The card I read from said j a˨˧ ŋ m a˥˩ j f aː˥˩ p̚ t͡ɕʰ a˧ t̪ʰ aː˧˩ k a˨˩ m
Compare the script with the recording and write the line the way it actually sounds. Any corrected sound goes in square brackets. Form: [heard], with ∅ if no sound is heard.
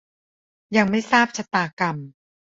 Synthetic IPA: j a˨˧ ŋ m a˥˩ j [s] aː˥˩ p̚ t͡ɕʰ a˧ [t̪] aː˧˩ k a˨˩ m